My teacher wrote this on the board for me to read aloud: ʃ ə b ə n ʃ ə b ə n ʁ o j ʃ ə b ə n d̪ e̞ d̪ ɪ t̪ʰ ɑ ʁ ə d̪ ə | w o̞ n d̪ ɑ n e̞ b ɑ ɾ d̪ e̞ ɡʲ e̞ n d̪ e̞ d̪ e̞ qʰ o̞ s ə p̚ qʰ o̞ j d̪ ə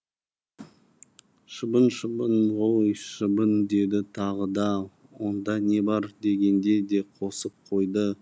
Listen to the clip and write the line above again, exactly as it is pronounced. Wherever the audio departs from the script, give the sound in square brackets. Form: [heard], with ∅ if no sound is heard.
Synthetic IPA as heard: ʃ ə b ə n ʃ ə b ə n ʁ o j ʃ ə b ə n d̪ e̞ d̪ ɪ t̪ʰ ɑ ʁ ə d̪ [ɑ] | w o̞ n d̪ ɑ n e̞ b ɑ ɾ d̪ e̞ ɡʲ e̞ n d̪ e̞ d̪ e̞ qʰ o̞ s ə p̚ qʰ o̞ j d̪ ə